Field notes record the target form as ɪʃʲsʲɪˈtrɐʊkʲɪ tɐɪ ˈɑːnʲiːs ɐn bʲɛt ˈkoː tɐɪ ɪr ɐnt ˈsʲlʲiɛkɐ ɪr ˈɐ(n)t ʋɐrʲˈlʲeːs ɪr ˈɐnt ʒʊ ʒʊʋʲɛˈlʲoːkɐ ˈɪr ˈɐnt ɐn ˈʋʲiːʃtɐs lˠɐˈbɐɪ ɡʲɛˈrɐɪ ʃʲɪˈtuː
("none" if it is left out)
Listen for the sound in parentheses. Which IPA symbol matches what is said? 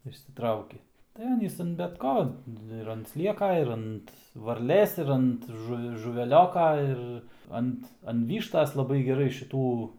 n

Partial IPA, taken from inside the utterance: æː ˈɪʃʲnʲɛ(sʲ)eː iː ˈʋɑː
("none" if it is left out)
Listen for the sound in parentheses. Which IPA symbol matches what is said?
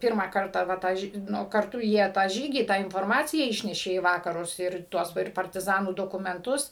ʃʲ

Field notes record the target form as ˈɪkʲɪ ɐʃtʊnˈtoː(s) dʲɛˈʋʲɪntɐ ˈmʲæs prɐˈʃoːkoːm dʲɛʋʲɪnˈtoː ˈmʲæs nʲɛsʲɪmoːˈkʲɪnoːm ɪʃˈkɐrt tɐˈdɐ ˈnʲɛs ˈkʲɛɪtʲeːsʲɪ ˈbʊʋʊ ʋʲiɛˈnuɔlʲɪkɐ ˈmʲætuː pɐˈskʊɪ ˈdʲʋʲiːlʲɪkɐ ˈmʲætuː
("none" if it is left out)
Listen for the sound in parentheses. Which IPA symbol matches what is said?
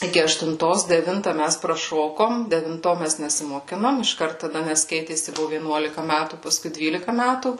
s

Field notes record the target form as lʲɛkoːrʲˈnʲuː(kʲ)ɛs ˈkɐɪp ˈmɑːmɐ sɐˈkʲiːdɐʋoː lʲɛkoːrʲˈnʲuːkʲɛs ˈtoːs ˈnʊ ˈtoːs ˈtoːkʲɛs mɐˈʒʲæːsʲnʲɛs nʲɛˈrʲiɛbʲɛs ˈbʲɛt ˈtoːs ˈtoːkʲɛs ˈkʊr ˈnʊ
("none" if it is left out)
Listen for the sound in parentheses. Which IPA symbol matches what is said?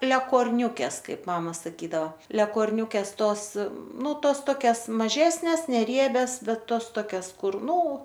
kʲ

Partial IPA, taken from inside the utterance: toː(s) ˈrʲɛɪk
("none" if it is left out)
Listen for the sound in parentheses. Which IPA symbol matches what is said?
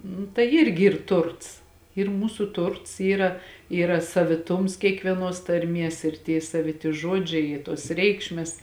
s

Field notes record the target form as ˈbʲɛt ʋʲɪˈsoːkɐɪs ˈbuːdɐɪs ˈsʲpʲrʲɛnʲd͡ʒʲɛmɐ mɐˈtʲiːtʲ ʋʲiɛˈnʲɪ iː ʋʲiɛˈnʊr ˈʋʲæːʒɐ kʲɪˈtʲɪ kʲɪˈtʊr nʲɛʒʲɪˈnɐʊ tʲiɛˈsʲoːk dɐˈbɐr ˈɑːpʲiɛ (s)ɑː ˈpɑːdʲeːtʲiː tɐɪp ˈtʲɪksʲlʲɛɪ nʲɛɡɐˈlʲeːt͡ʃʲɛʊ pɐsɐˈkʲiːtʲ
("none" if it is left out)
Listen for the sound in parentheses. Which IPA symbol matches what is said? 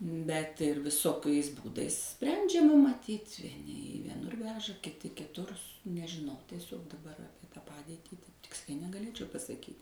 t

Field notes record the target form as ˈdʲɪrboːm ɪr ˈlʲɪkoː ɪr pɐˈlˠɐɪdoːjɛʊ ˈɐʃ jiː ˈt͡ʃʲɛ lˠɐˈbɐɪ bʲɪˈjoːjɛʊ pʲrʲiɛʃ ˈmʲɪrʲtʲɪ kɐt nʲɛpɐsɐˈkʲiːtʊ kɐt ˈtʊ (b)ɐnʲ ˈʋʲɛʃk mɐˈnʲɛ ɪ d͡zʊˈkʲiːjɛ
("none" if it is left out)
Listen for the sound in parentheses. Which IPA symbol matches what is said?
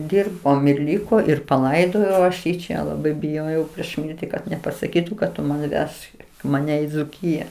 m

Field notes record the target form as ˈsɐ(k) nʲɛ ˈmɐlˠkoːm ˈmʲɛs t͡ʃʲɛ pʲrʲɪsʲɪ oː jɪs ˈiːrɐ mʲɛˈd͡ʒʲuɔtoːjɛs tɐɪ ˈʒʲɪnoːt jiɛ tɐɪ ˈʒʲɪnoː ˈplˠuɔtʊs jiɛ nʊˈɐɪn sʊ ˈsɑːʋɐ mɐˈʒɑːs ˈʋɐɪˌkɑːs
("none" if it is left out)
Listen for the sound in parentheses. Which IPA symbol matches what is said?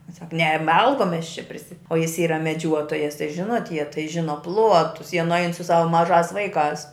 k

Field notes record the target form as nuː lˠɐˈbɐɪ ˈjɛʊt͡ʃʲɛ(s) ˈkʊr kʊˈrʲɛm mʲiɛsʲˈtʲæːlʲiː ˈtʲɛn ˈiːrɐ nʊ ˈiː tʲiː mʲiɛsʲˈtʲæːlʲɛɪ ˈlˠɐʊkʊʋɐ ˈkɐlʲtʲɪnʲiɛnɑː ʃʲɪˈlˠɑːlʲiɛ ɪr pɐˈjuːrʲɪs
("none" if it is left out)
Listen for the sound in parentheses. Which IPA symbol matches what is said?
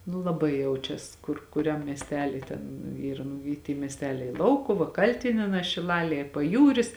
s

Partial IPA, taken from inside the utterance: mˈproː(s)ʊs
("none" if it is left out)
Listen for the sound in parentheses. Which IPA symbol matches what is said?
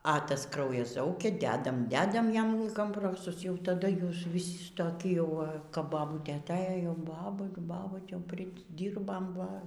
s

